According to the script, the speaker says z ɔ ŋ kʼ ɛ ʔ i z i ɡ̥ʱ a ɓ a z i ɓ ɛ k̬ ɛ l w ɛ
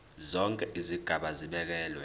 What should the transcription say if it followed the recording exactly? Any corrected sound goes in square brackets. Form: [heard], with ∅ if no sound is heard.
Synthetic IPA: z ɔ ŋ kʼ ɛ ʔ i z i ɡ̥ʱ a ɓ a z i ɓ ɛ k̬ [ɛː] l w ɛ

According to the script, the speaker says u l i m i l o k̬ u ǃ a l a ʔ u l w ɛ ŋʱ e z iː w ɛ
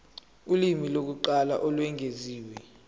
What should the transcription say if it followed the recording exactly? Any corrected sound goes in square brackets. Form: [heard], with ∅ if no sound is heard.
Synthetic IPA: u l i m i l o k̬ u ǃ a l a ʔ [ɔ] l w ɛ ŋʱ e z iː w ɛ

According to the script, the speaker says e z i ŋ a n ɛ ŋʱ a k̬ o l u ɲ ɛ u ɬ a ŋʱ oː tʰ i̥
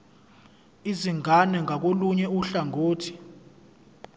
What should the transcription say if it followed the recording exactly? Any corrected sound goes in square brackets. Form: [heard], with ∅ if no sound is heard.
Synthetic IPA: [i] z i ŋ a n ɛ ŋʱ a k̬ o l u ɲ ɛ u ɬ a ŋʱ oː tʰ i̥

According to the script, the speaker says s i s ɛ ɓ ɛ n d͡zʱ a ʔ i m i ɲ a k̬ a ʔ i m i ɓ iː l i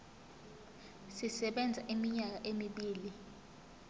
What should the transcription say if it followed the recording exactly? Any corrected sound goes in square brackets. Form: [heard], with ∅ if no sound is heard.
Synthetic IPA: s i s ɛ ɓ ɛ n d͡zʱ a ʔ i m i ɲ a k̬ a ʔ [e] m i ɓ iː l i

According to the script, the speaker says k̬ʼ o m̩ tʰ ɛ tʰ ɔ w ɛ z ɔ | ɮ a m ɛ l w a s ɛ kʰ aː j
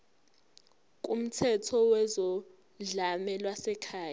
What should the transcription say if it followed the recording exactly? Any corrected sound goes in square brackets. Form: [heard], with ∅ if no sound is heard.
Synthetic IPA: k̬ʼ [u] m̩ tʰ ɛ tʰ ɔ w ɛ z ɔ | ɮ a m ɛ l w a s ɛ kʰ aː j

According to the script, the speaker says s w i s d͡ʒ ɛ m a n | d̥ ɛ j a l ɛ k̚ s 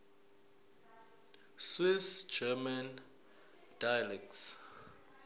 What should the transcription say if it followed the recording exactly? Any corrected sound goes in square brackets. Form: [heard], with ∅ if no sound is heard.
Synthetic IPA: s w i s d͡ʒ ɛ m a n | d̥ [a] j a l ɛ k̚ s

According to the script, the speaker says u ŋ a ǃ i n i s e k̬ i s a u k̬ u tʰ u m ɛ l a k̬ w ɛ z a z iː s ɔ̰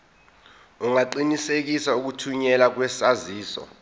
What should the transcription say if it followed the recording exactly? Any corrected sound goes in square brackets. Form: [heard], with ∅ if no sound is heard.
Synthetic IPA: u ŋ a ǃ i n i s e k̬ i s a u k̬ u tʰ u [ɲ] ɛ l a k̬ w ɛ [s] a z iː s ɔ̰

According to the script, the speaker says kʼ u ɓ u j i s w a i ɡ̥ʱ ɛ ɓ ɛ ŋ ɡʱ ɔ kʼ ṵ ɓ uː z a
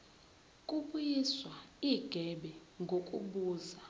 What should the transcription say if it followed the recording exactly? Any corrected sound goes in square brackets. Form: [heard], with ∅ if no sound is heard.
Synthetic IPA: kʼ u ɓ u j i s w a i ɡ̥ʱ ɛ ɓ ɛ ŋ ɡʱ [o] kʼ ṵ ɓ uː z a

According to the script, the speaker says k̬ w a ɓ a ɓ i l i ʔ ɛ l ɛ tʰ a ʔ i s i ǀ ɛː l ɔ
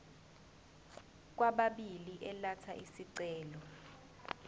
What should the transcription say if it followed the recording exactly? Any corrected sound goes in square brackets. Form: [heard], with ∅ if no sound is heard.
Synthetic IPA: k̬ w a ɓ a ɓ i l i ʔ ɛ l [a] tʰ a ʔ i s i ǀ ɛː l ɔ

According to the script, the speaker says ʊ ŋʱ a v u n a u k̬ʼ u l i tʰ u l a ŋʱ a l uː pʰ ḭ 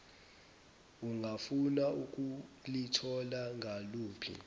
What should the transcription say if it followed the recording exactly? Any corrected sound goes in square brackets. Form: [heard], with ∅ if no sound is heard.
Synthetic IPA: [u] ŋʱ a [f] u n a u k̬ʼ u l i tʰ [ɔ] l a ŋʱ a l uː pʰ ḭ

